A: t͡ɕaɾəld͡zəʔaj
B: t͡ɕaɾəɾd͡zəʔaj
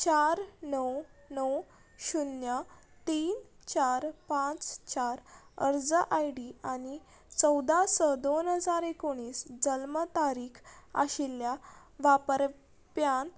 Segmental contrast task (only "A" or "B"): B